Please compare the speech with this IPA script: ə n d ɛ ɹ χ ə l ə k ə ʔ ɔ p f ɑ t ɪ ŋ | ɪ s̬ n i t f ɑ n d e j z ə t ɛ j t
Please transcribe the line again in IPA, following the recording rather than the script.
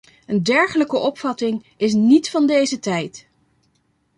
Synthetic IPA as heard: ə n d ɛ ɹ χ ə l ə k ə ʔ ɔ p f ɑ t ɪ ŋ | ɪ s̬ n i t f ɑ n d e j z ə t ɛ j t